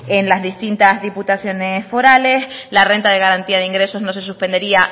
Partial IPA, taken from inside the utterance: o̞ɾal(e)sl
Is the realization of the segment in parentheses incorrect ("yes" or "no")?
no